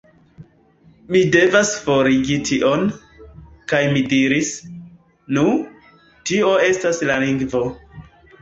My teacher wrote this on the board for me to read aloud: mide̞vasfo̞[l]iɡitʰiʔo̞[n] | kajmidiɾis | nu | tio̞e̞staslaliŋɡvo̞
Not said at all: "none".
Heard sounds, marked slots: ɾ, n

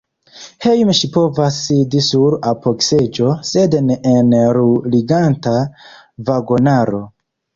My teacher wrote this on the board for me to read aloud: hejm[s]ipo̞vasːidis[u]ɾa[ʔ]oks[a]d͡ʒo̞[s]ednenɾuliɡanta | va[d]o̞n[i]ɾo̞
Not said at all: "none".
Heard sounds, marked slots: ʃ, u, p, e, s, ɡ, a

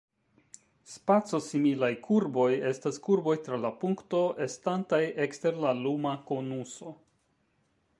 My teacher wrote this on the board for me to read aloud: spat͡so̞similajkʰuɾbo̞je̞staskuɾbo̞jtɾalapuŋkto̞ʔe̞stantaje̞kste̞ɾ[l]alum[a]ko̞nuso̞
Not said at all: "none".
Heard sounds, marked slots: l, a

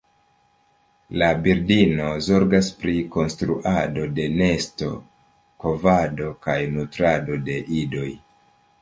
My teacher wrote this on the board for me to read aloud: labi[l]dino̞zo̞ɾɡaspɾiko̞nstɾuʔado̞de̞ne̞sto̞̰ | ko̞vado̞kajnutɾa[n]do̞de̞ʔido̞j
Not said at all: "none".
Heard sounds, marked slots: ɾ, none

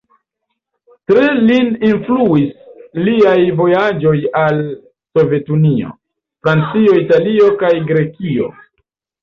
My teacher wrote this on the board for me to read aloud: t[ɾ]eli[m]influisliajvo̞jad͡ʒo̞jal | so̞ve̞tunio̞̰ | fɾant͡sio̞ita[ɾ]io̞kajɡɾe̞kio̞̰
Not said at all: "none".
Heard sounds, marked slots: ɾ, n, l

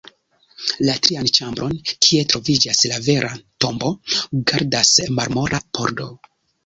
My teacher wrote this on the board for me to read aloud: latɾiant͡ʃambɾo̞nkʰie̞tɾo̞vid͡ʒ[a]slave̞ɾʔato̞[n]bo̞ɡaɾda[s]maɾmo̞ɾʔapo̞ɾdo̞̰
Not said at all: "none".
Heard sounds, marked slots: a, m, s

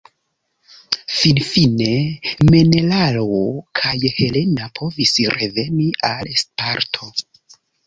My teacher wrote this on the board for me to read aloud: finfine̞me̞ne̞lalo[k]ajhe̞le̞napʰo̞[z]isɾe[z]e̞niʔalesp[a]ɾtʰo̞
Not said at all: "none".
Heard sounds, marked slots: kʰ, v, v, a

